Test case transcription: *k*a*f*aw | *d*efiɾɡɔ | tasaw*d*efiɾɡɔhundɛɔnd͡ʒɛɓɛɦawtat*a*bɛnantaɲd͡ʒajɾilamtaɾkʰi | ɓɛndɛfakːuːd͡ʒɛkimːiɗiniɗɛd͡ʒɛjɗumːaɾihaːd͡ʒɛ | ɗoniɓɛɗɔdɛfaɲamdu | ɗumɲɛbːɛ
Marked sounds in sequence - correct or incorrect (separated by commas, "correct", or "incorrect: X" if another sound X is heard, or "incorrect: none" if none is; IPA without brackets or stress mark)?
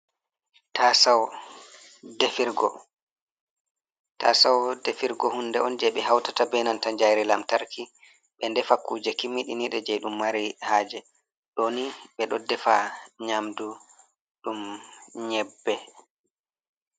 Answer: incorrect: t, incorrect: s, correct, correct, correct